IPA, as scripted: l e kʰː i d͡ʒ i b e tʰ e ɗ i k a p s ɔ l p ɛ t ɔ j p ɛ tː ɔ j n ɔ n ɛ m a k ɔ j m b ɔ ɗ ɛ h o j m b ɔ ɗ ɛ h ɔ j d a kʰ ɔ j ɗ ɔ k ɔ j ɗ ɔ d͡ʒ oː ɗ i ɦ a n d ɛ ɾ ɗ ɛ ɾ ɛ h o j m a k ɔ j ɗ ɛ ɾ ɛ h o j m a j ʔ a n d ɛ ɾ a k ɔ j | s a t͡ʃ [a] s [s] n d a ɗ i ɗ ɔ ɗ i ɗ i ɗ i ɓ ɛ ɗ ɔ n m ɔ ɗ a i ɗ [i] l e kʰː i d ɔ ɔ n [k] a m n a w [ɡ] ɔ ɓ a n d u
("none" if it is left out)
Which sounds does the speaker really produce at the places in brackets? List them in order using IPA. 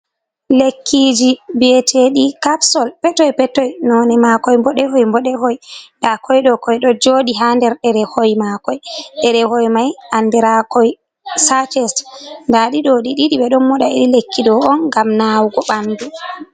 ɛ, t, i, ɡ, ɡ

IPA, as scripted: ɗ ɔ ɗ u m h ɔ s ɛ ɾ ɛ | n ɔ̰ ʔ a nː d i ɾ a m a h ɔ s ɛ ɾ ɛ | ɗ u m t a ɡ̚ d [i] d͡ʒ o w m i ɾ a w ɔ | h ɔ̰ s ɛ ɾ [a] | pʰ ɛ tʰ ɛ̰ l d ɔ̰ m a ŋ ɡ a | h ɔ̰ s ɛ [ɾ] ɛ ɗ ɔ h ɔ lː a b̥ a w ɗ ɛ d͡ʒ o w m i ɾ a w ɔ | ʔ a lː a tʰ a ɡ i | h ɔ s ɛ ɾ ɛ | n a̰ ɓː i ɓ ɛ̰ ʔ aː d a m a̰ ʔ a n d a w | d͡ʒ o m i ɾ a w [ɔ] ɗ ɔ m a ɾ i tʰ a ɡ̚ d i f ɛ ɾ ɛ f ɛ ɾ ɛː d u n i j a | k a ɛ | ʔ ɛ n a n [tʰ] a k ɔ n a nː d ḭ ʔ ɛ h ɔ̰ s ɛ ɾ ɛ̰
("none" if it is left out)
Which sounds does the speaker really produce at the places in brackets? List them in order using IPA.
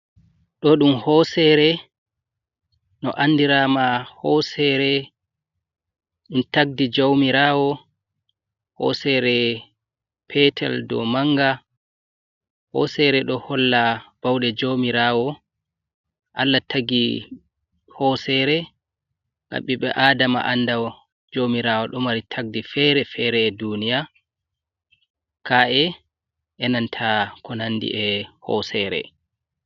i, ɛ, ɾ, ɔ, tʰ

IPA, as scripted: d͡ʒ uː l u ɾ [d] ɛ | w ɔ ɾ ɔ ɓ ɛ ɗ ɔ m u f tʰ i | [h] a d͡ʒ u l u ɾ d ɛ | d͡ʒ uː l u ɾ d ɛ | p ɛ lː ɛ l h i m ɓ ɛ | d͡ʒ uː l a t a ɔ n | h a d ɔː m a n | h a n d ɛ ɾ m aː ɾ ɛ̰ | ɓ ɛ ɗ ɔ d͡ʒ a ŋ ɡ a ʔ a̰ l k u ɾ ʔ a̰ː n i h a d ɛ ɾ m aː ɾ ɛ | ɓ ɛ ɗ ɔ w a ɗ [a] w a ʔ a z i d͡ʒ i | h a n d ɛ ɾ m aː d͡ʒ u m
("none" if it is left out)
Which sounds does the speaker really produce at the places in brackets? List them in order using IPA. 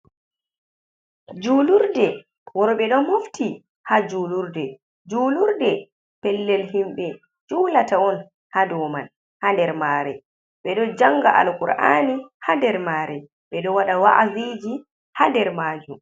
d, h, a

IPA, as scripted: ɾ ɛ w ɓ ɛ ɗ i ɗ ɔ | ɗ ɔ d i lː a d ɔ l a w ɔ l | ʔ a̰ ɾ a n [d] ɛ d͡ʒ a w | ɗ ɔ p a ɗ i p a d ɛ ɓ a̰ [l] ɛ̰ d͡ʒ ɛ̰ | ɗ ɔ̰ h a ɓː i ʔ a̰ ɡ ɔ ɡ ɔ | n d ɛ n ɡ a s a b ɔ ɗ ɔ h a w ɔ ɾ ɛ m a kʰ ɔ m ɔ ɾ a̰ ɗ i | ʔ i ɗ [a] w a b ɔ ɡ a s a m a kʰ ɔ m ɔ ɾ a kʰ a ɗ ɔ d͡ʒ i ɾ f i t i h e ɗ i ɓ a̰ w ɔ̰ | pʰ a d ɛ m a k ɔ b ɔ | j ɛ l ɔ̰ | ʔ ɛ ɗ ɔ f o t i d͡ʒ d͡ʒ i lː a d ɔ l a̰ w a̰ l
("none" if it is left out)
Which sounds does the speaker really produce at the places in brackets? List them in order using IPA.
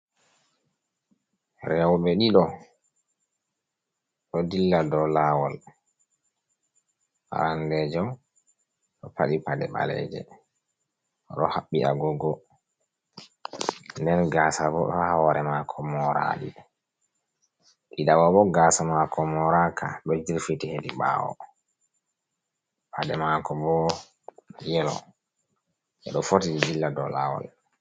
d, l, a

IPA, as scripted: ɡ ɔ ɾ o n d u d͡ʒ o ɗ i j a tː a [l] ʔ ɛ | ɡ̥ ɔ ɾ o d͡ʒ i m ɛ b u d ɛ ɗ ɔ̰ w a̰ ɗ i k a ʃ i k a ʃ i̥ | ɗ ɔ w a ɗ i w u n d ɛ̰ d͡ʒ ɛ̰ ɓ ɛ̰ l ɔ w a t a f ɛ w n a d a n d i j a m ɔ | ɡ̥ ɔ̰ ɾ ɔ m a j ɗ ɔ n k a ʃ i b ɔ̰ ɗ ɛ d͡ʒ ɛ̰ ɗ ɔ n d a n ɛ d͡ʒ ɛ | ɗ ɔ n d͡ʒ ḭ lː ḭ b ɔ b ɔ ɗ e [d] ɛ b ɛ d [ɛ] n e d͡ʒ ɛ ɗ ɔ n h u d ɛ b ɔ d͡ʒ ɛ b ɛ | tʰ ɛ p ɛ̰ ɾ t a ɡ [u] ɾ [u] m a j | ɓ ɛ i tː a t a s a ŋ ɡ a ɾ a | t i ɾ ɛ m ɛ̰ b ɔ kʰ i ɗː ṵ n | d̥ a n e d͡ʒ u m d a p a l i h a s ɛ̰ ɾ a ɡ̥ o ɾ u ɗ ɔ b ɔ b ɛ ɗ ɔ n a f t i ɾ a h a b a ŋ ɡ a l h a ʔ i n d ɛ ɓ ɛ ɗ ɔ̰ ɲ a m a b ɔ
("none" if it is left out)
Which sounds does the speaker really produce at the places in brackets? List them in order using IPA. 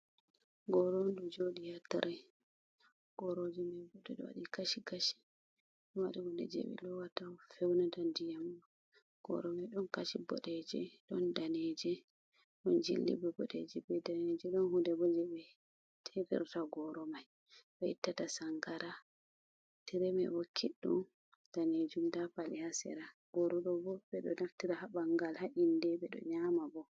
ɾ, d͡ʒ, a, ɔ, ɔ

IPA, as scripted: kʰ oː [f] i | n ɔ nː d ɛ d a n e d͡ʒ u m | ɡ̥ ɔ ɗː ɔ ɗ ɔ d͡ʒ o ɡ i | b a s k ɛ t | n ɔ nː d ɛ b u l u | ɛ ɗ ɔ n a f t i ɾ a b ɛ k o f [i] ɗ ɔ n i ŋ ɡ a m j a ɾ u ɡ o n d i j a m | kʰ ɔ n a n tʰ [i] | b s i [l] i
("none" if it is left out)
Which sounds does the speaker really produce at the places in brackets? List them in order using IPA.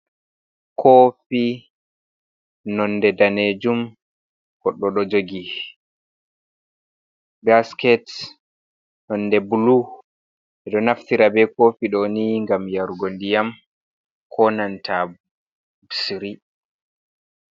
f, i, a, ɾ

